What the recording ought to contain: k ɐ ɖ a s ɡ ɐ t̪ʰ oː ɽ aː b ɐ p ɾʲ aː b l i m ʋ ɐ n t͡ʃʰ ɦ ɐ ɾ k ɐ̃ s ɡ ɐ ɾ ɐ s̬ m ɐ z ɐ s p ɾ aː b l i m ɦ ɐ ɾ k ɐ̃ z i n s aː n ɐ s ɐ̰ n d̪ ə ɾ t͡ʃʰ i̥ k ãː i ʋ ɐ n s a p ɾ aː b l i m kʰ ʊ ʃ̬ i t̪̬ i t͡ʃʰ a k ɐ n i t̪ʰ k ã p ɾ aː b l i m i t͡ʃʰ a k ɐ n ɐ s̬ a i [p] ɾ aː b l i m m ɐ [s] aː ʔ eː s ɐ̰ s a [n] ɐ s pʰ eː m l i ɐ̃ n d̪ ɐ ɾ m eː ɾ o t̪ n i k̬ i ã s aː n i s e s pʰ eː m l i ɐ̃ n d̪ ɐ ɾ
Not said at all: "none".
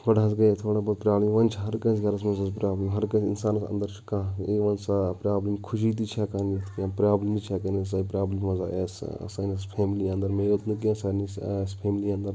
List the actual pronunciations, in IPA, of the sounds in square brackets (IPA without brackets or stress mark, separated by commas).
p, z, n